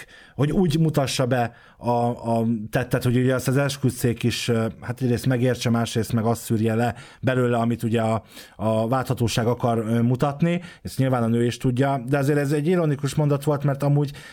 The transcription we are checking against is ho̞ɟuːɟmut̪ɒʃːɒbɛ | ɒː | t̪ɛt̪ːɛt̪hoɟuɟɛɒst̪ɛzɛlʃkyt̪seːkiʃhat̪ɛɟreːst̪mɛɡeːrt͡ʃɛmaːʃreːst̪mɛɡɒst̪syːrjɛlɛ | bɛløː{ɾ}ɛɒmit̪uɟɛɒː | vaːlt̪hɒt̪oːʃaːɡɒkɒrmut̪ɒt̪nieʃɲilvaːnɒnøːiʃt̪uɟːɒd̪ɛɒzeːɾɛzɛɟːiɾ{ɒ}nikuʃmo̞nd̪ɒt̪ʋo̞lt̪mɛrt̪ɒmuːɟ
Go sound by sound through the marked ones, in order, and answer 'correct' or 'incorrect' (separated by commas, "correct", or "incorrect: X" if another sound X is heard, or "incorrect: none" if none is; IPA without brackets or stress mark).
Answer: incorrect: l, incorrect: o